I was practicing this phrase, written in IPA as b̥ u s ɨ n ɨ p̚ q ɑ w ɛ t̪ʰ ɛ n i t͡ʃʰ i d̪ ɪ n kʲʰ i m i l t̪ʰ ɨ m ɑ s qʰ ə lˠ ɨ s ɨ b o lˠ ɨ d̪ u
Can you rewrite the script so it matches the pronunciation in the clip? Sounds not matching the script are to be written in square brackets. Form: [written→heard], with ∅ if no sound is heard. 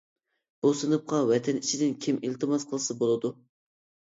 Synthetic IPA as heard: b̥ u s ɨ n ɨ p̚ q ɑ w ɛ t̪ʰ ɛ n i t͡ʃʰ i d̪ ɪ n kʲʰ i m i l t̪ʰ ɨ m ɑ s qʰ ə lˠ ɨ s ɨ b o lˠ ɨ d̪ u

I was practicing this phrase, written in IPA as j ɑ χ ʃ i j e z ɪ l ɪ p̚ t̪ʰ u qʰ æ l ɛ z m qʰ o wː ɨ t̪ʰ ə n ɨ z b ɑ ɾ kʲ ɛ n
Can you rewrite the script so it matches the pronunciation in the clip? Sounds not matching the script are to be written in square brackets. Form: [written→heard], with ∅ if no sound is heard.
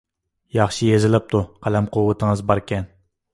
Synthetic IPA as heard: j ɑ χ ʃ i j e z ɪ l ɪ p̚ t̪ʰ u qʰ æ l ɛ [z→∅] m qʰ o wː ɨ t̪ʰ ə [n→ŋ] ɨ z b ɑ ɾ kʲ ɛ n

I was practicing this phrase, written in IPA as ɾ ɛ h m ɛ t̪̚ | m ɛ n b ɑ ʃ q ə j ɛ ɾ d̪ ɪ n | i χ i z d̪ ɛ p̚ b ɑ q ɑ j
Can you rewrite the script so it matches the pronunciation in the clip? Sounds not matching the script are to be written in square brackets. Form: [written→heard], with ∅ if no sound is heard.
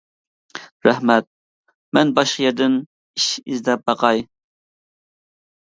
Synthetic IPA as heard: ɾ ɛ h m ɛ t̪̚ | m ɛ n b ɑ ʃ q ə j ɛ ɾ d̪ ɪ n | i [χ→ʃ] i z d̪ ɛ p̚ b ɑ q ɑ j

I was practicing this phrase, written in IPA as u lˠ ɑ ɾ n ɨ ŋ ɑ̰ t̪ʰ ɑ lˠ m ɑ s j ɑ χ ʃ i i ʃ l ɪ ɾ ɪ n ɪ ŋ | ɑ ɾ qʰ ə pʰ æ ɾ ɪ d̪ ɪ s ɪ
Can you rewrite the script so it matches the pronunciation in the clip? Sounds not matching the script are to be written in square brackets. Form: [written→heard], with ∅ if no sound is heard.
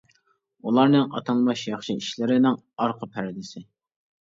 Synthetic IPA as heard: u lˠ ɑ ɾ n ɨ ŋ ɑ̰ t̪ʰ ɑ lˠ m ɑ [s→ʃ] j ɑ χ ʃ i i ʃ l ɪ ɾ ɪ n ɪ ŋ | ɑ ɾ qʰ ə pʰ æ ɾ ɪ d̪ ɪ s ɪ

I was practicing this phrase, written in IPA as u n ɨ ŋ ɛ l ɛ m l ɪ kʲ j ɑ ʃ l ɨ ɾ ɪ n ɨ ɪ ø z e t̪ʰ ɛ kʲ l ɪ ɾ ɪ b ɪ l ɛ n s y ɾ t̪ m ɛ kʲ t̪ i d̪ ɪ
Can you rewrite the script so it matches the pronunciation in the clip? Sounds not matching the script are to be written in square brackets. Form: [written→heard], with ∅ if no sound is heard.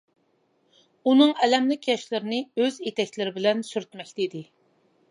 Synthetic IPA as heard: u n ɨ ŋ ɛ l ɛ m l ɪ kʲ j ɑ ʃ l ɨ ɾ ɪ n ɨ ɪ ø z e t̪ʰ ɛ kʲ l ɪ ɾ ɪ b ɪ l ɛ n s y ɾ t̪ m ɛ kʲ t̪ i d̪ ɪ

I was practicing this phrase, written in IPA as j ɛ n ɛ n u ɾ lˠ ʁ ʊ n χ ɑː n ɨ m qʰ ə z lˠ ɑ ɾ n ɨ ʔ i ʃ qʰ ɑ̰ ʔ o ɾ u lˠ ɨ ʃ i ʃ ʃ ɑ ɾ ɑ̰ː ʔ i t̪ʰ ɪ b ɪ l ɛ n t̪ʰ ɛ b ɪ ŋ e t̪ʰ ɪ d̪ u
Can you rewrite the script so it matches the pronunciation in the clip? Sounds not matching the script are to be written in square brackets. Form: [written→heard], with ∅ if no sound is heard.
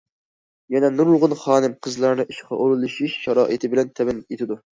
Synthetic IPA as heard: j ɛ n ɛ n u ɾ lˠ ʁ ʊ n χ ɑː n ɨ m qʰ ə z lˠ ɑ ɾ n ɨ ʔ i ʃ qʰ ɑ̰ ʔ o ɾ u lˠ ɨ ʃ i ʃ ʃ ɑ ɾ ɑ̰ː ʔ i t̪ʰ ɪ b ɪ l ɛ n t̪ʰ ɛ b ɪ [ŋ→n] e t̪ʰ ɪ d̪ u

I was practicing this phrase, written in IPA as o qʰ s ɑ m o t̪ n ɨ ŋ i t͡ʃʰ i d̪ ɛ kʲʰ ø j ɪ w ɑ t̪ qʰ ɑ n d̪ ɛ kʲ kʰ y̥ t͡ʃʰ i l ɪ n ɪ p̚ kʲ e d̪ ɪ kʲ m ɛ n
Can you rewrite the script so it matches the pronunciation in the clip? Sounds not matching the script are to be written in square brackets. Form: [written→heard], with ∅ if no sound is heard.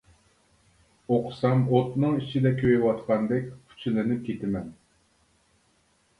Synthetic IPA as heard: o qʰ s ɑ m o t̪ n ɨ ŋ i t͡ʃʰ i d̪ ɛ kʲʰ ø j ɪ w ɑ t̪ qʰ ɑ n d̪ ɛ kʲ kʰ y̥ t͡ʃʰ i l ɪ n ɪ p̚ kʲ e [d̪→t̪] ɪ [kʲ→∅] m ɛ n

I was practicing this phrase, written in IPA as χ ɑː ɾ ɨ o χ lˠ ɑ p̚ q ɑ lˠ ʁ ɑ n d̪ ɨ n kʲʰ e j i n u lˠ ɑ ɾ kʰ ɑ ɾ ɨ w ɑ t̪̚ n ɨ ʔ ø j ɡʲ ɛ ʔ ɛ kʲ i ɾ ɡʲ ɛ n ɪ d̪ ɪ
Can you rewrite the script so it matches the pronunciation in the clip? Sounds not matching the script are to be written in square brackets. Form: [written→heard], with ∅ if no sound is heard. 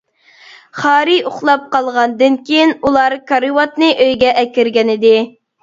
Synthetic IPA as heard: χ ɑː ɾ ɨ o χ lˠ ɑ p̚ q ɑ lˠ ʁ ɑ n d̪ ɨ n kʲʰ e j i n u lˠ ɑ ɾ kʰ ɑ ɾ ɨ w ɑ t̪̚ n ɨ ʔ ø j ɡʲ ɛ ʔ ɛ kʲ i ɾ ɡʲ ɛ n ɪ d̪ ɪ

